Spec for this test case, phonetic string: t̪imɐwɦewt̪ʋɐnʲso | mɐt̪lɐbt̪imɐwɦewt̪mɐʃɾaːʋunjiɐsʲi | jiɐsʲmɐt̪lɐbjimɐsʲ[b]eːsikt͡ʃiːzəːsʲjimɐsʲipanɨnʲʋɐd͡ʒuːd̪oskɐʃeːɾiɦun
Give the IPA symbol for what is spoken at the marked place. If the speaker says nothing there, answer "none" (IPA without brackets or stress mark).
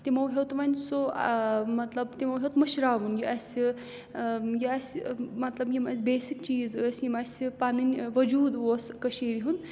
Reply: b